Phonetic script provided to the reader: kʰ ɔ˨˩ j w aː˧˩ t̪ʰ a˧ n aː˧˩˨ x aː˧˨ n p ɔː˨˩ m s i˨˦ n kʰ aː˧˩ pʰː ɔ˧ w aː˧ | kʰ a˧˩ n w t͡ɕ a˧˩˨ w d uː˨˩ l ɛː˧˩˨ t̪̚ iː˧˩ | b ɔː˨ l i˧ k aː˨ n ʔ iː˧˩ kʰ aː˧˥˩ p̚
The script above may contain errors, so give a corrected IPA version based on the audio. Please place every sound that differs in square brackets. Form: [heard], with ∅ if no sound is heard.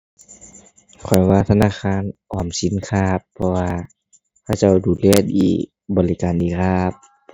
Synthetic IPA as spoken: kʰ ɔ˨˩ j w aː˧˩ t̪ʰ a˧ n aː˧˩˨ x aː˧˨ n [ʔ] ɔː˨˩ m s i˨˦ n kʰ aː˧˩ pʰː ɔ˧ w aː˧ | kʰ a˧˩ [∅] w t͡ɕ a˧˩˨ w d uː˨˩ l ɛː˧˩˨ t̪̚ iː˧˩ | b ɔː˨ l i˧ k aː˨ n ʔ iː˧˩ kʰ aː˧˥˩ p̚